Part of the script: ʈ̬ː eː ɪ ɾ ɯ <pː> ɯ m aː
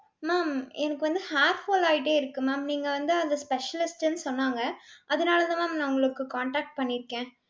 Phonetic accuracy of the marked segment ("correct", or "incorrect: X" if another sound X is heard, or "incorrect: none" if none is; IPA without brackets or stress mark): incorrect: kː